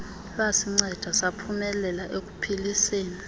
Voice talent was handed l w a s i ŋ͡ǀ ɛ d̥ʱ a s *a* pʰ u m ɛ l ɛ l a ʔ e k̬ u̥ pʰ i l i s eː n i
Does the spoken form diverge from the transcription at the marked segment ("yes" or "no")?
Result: no